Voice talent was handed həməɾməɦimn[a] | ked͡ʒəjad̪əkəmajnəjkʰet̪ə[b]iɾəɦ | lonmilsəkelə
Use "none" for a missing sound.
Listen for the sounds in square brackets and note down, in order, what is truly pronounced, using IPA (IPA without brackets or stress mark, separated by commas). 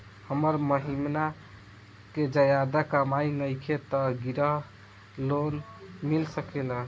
a, ɡ